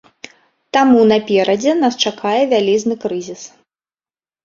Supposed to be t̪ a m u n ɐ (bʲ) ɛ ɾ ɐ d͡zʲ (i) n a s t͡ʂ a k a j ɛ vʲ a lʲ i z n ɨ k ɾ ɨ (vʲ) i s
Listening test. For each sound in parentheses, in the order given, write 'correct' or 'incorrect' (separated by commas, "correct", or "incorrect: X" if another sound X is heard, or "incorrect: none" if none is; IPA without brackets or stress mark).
incorrect: pʲ, incorrect: ɛ, incorrect: zʲ